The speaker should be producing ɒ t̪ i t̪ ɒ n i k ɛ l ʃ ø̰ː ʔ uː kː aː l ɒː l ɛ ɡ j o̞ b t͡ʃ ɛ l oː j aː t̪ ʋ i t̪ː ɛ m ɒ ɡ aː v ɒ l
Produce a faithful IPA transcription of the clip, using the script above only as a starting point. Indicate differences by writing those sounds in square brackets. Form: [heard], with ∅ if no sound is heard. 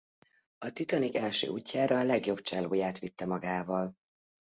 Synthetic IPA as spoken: ɒ t̪ i t̪ ɒ n i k ɛ l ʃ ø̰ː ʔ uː [cː] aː [ɾ] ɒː l ɛ ɡ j o̞ b t͡ʃ ɛ l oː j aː t̪ ʋ i t̪ː ɛ m ɒ ɡ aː v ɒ l